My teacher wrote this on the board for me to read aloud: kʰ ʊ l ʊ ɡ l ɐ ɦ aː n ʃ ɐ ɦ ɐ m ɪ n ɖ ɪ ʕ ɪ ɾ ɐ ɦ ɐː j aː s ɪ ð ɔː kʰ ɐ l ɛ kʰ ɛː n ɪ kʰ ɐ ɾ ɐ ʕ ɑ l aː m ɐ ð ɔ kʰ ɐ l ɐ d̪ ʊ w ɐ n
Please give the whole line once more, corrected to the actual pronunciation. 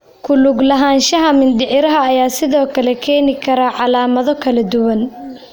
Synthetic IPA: kʰ ʊ l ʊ ɡ l ɐ ɦ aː n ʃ ɐ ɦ ɐ m ɪ n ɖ ɪ ʕ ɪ ɾ ɐ ɦ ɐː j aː s ɪ ð ɔː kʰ ɐ l ɛ kʰ ɛː n ɪ kʰ ɐ ɾ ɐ ʕ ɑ l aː m ɐ ð ɔ kʰ ɐ l ɐ d̪ ʊ w ɐ n